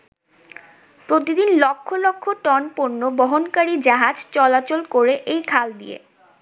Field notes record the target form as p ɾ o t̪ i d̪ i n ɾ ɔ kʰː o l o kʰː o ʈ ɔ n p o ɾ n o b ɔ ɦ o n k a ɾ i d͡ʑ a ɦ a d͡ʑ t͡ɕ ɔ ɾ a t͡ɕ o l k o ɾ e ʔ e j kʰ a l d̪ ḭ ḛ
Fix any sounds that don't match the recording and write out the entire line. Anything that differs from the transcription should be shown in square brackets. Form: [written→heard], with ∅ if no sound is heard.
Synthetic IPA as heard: p ɾ o t̪ i d̪ i n [ɾ→l] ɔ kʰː o l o kʰː o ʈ ɔ n p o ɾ n o b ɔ ɦ o n k a ɾ i d͡ʑ a ɦ a d͡ʑ t͡ɕ ɔ [ɾ→l] a t͡ɕ o l k o ɾ e ʔ e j kʰ a l d̪ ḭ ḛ